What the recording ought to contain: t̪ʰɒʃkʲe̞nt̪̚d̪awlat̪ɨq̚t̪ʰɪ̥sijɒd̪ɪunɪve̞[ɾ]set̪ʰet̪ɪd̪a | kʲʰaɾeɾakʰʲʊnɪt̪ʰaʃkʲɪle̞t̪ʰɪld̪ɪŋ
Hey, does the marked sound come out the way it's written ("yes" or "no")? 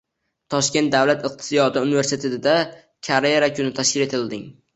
yes